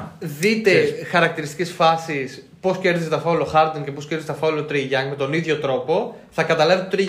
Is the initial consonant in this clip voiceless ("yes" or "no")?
no